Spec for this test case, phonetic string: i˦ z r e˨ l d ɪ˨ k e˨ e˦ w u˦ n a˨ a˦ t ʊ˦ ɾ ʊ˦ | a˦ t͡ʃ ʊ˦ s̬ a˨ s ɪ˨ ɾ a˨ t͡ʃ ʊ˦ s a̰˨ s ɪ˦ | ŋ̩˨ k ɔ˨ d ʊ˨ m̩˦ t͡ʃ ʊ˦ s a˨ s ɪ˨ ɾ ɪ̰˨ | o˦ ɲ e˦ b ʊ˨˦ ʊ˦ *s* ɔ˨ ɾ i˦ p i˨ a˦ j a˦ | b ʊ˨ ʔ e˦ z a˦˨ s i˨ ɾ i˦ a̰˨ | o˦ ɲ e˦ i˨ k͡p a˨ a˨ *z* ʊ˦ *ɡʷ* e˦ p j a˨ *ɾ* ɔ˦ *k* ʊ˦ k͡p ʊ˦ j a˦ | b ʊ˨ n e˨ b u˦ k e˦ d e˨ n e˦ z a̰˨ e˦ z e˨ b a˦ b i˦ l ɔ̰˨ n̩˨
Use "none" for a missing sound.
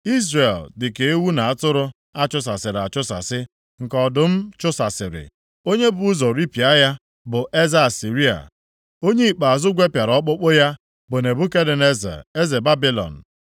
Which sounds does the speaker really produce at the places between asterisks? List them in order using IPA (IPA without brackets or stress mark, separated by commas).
z, z, ɡʷ, ɾ, k͡p